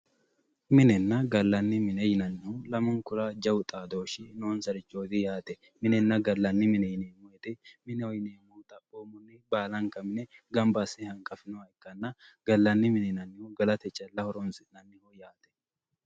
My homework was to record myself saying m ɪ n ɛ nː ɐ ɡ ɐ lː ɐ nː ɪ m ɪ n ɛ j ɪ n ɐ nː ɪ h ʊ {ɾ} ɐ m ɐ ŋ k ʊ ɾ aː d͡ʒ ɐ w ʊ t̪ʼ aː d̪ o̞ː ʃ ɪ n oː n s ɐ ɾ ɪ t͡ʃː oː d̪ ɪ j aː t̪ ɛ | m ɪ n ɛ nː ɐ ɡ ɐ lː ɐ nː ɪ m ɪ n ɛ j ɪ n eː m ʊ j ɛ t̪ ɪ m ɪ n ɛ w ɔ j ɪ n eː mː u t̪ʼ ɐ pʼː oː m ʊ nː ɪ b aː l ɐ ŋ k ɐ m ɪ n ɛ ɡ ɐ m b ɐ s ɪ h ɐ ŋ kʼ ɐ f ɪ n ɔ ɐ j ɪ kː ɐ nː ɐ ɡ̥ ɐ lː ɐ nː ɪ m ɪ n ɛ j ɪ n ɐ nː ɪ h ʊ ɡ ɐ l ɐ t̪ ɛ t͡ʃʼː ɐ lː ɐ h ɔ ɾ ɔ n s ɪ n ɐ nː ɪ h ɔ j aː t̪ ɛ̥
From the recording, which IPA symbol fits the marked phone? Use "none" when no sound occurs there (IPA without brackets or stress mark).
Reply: l